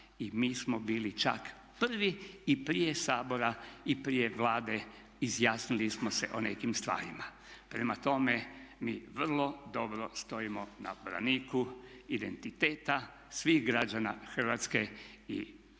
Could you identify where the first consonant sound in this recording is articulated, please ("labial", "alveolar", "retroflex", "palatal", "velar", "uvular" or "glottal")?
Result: labial